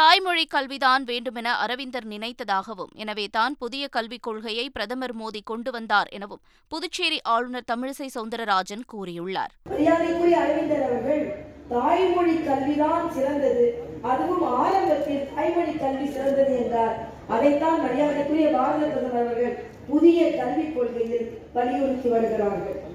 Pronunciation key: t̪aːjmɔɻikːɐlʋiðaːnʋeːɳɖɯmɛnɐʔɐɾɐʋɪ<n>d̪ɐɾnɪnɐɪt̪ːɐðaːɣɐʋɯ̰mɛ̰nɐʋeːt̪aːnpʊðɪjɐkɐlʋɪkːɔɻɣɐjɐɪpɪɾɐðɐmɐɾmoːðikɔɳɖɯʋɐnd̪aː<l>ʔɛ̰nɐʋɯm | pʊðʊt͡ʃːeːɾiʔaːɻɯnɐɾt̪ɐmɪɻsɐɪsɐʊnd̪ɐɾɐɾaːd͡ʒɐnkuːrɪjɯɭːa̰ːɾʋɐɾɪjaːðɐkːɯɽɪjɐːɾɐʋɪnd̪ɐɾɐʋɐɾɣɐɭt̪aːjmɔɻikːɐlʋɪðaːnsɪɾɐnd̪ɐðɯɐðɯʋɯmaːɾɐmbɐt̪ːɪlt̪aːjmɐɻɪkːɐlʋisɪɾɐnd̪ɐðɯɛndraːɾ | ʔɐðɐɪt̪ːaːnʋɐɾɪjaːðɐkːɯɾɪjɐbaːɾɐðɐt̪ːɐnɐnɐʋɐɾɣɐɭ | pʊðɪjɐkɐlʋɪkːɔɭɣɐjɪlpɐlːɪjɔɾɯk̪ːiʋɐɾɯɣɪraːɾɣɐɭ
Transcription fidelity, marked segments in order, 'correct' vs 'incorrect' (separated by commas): correct, incorrect